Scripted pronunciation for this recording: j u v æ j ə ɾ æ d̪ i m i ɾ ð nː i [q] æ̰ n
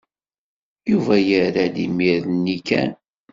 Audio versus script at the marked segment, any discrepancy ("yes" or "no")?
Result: yes